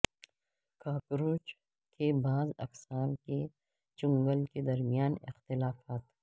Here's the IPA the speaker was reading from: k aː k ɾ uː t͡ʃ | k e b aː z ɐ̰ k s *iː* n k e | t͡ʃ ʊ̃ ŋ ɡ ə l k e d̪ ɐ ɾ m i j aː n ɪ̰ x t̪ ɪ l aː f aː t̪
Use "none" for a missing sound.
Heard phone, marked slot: aː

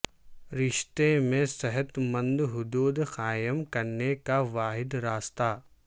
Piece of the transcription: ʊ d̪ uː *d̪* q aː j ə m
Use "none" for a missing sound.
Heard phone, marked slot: d̪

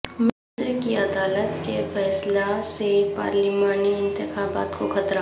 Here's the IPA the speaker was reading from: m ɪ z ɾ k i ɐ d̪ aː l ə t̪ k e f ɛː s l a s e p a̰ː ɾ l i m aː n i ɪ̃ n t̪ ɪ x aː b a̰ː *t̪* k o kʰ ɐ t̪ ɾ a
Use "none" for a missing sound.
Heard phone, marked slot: t̪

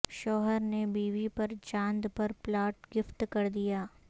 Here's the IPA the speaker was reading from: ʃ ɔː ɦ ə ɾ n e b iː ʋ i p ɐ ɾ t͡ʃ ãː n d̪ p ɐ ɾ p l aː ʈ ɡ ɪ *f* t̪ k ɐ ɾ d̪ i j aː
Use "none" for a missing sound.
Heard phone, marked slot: f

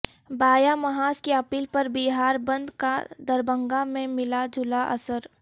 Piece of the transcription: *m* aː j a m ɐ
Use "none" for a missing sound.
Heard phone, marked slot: b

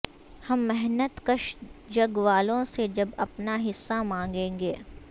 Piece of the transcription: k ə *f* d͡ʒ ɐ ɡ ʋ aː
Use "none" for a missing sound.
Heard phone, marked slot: ʃ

